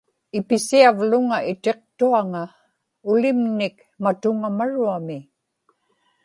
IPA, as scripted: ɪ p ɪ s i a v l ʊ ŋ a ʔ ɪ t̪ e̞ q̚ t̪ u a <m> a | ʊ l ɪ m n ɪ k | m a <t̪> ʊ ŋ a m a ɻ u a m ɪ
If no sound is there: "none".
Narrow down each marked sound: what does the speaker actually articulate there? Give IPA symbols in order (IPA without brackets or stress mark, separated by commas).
ŋ, t̪